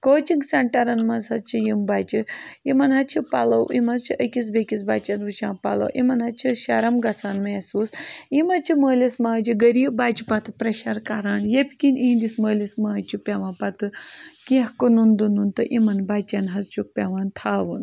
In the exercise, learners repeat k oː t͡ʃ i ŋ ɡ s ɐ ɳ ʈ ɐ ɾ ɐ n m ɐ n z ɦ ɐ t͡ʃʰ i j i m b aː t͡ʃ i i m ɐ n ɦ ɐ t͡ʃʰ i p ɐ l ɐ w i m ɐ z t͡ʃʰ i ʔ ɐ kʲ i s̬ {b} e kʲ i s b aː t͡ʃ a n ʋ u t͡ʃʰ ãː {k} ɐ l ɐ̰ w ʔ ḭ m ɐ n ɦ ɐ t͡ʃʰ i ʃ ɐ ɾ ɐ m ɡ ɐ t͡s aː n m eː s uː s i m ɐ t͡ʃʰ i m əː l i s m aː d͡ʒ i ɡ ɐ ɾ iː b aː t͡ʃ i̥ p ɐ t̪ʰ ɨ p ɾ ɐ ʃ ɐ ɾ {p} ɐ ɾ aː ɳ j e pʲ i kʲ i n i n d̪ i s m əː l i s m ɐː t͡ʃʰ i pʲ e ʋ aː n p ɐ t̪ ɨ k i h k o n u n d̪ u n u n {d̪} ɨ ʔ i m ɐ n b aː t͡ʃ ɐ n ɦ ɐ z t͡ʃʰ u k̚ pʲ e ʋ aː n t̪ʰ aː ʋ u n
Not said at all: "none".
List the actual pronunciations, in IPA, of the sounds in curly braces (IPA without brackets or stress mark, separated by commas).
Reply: b, p, k, t̪